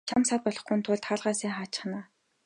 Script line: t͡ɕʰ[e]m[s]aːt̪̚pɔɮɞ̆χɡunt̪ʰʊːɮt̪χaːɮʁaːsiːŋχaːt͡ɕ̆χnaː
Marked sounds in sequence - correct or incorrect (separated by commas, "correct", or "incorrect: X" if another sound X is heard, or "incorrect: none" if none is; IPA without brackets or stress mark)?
incorrect: a, correct